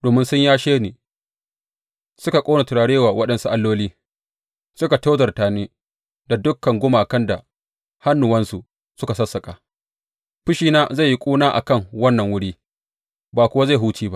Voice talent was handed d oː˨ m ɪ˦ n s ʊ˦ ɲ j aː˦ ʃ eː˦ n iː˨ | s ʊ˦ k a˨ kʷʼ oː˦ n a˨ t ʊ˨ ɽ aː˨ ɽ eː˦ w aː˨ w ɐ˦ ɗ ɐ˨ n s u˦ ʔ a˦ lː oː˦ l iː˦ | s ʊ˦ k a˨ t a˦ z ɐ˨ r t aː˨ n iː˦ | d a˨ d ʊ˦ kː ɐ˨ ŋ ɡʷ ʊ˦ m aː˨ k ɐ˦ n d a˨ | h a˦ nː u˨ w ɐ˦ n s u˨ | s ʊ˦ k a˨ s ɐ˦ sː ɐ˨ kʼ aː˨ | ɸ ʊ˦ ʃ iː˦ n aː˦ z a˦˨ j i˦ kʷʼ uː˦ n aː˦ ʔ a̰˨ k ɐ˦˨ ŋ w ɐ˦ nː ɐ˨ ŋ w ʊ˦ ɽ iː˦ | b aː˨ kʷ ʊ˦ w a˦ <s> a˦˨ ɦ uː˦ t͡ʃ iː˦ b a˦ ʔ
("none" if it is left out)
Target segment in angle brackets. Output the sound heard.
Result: z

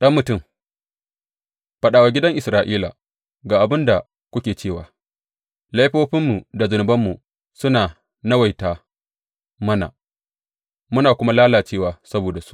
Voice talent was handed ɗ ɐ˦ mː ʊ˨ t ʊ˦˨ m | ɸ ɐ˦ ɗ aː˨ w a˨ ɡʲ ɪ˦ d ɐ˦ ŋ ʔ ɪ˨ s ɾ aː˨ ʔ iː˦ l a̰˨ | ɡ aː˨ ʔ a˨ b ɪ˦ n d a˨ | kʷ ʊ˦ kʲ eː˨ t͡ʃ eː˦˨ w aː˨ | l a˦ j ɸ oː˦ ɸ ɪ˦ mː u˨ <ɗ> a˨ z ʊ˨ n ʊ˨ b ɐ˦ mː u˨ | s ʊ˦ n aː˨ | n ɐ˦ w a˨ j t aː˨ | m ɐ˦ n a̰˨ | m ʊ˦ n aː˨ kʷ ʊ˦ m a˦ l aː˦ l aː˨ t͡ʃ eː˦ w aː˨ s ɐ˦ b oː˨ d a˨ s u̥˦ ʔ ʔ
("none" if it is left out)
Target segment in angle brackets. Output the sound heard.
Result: d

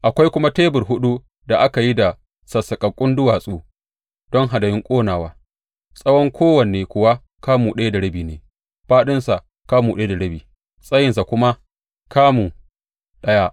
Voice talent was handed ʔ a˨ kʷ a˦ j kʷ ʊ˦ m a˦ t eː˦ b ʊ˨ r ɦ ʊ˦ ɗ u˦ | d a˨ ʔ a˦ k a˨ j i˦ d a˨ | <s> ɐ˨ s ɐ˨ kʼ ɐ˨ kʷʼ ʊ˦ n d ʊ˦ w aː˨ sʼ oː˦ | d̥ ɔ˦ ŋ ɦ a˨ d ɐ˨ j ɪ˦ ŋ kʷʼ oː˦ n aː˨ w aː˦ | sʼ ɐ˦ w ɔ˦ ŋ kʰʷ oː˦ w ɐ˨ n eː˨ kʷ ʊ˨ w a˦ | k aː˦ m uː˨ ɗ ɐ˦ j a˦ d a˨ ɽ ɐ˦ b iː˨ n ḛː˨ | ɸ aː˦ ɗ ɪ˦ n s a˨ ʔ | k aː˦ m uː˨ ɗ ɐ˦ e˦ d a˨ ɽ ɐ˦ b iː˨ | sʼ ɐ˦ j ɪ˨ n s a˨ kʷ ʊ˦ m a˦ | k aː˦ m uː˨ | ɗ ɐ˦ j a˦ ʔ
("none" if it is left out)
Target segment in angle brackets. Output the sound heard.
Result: s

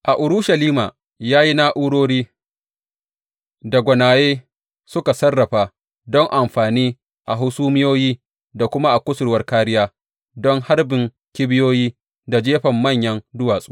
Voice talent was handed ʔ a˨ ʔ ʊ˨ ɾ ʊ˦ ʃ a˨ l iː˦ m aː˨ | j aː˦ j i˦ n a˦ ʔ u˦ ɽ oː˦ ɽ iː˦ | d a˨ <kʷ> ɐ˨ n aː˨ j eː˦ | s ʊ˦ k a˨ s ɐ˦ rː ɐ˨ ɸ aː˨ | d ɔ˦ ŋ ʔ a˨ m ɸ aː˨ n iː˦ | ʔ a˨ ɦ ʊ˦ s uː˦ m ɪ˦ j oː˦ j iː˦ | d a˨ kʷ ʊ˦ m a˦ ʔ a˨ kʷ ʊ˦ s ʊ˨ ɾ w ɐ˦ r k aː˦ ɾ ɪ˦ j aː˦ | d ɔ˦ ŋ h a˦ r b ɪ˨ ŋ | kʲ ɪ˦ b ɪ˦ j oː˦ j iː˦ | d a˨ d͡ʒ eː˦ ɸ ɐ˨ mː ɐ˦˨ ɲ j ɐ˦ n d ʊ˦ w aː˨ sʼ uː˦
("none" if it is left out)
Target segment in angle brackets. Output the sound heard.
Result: ɡʷ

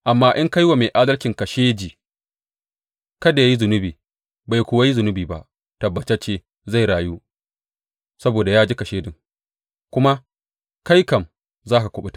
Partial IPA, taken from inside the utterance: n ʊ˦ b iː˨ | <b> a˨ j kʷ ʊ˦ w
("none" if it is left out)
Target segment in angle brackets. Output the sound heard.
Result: b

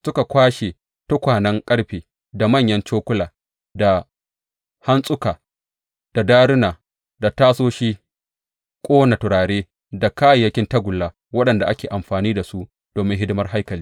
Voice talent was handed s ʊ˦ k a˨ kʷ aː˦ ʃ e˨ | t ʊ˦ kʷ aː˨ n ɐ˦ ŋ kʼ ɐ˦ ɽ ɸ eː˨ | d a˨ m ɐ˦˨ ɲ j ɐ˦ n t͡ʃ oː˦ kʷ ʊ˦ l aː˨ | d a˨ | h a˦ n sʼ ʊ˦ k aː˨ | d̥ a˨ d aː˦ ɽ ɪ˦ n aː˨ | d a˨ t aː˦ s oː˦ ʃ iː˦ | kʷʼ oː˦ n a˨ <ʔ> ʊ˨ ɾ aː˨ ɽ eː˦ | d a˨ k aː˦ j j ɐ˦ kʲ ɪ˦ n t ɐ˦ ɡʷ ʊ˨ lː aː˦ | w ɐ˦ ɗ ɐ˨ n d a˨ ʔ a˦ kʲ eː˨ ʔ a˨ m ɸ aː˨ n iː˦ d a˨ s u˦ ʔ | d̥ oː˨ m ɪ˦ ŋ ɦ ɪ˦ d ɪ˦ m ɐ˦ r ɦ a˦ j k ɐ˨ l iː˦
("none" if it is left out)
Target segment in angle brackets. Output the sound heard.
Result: t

